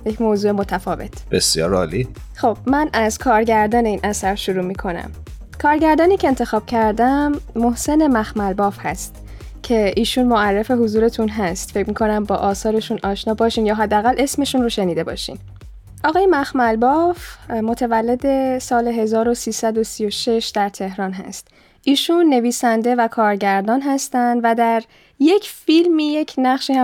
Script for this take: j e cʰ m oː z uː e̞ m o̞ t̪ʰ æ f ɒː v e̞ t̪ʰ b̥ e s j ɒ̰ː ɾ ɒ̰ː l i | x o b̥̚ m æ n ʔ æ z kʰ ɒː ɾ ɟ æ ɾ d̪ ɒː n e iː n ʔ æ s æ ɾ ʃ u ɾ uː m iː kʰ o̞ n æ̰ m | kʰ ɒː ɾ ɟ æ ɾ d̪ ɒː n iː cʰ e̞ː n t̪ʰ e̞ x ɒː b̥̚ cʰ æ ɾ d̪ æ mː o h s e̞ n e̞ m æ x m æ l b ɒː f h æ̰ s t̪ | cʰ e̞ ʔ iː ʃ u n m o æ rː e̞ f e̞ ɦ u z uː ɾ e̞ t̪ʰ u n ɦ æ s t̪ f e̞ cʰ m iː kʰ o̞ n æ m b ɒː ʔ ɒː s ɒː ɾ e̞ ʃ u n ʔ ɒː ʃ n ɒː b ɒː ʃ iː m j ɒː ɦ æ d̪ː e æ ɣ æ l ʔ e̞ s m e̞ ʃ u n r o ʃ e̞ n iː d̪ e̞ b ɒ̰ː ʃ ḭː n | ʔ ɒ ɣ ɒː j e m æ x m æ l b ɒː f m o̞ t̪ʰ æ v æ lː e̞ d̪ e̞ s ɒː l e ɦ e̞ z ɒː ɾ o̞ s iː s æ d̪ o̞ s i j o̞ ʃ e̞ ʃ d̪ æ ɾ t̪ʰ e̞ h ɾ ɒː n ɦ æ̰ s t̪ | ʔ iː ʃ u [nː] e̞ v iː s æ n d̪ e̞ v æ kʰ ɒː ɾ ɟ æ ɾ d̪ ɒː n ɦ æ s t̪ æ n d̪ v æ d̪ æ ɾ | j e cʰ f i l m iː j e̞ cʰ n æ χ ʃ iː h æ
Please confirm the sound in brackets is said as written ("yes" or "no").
yes